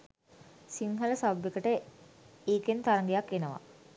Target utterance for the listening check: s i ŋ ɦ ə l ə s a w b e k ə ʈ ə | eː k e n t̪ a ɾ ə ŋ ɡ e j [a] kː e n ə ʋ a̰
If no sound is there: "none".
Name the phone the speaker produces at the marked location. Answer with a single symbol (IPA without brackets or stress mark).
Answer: a